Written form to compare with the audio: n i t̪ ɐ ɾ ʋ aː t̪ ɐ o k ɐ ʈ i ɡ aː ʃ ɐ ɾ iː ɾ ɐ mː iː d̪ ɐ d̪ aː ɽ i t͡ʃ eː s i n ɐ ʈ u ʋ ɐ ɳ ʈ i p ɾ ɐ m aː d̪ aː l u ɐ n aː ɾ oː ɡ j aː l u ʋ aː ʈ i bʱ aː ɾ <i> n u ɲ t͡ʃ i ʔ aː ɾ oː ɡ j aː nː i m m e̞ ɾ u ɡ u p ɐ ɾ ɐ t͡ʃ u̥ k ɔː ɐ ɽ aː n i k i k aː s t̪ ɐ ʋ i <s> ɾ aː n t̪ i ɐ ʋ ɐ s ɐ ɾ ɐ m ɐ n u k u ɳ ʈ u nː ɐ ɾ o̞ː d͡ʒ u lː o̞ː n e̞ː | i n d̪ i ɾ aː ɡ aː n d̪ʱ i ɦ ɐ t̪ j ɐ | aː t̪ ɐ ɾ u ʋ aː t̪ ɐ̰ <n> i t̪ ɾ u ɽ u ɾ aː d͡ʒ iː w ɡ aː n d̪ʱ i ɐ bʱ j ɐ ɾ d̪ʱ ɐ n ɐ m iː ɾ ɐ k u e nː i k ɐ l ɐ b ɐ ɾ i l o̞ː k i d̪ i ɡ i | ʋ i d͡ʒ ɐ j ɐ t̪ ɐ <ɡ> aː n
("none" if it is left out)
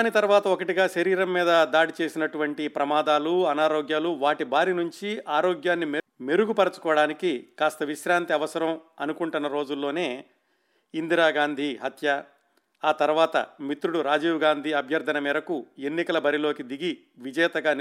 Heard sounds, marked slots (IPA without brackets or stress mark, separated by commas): i, ʃ, m, ɡ